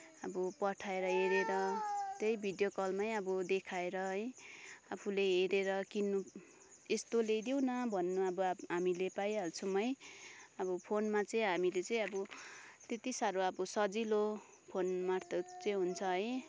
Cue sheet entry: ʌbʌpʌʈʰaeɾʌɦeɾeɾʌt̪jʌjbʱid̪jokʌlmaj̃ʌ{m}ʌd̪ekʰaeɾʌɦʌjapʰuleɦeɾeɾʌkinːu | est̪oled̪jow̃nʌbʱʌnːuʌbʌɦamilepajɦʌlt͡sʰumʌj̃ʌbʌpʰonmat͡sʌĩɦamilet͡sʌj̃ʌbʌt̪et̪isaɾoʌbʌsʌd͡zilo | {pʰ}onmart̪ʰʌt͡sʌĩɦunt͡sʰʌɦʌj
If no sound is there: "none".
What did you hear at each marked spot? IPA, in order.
b, pʰ

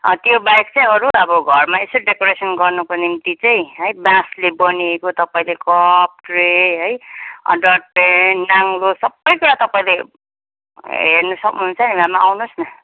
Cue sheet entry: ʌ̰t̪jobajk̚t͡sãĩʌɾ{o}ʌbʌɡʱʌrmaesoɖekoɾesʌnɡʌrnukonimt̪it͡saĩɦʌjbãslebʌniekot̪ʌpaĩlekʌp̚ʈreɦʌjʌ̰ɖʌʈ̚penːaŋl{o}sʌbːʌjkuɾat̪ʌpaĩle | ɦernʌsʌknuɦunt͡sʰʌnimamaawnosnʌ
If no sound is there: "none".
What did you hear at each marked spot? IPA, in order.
u, o

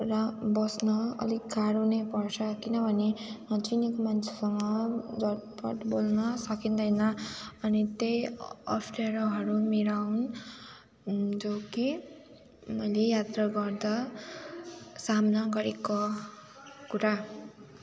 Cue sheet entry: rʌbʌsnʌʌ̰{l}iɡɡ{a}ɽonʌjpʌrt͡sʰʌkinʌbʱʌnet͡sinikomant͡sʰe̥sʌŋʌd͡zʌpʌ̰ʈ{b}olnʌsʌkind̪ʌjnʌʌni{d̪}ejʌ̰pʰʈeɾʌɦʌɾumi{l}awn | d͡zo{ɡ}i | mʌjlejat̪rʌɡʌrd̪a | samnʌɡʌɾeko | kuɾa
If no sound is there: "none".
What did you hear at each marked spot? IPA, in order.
l, a, b, t̪, ɾ, k

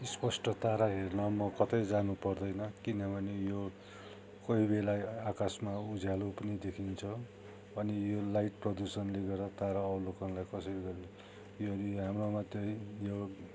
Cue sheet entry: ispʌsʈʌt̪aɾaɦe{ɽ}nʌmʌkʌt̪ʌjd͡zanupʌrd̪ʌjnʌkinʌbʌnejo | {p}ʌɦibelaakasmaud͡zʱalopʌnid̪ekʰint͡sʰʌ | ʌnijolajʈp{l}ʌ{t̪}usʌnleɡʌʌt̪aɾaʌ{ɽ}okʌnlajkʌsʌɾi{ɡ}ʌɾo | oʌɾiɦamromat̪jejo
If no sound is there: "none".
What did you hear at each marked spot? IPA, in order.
r, k, r, d̪, l, ɡ

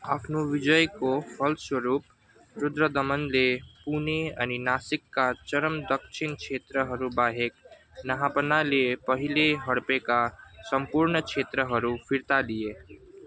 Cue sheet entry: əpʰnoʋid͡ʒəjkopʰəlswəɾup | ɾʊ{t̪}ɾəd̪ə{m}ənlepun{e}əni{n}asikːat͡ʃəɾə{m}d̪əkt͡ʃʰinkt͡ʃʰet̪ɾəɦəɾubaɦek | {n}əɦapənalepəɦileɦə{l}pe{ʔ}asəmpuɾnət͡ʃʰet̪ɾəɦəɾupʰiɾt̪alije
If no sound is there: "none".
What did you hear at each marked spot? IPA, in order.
d̪, m, e, n, m, n, ɽ, k

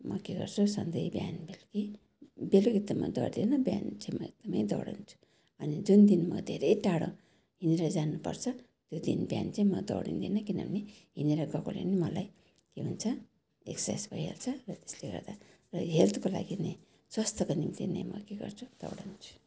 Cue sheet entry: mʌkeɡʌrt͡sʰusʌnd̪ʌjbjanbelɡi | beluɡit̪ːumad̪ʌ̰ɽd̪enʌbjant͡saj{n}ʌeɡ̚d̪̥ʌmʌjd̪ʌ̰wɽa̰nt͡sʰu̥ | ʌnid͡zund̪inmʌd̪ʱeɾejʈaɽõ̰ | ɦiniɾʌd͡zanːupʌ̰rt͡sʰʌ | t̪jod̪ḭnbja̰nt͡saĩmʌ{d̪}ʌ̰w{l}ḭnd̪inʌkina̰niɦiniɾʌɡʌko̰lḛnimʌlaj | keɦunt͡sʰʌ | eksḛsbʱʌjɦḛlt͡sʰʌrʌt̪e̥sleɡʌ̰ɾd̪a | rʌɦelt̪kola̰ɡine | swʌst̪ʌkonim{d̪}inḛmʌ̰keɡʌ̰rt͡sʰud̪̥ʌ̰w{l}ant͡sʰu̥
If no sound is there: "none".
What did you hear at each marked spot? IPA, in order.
m, d̪, ɽ, t̪, ɽ

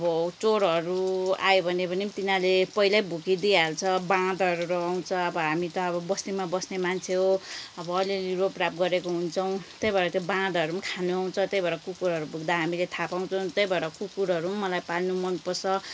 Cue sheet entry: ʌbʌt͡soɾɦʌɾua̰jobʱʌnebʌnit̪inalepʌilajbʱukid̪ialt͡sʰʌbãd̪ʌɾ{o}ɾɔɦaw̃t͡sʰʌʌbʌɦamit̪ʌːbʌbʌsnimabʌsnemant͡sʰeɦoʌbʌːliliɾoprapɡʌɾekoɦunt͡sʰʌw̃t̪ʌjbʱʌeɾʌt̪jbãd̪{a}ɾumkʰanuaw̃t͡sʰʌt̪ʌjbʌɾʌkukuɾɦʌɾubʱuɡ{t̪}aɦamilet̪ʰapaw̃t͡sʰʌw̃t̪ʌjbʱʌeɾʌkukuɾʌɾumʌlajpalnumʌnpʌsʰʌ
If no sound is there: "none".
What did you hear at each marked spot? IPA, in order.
u, ʌ, d̪

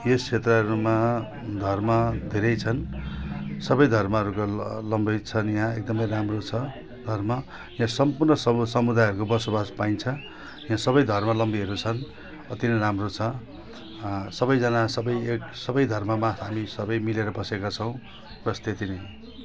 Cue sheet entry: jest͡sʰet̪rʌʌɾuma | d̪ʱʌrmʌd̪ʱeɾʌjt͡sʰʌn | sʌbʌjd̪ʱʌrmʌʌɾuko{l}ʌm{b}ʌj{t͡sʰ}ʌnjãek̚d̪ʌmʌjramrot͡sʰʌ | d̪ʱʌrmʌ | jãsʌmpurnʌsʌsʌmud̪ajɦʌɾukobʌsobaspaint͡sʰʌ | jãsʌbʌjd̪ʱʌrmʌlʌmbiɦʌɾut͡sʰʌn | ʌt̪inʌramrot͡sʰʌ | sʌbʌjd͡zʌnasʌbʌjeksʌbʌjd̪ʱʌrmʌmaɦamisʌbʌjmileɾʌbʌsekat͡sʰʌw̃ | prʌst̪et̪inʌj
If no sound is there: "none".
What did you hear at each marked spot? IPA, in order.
l, b, t͡sʰ

